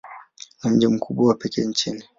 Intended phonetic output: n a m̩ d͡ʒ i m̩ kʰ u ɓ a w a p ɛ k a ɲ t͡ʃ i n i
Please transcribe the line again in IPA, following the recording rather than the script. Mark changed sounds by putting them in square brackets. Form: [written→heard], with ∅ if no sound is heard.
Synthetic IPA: n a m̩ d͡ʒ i m̩ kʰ u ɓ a w a p ɛ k [a→ɛ] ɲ t͡ʃ i n i